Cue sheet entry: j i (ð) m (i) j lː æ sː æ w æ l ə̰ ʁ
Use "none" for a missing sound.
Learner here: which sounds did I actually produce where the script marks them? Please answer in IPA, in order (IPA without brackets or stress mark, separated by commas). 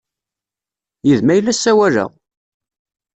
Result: ð, æ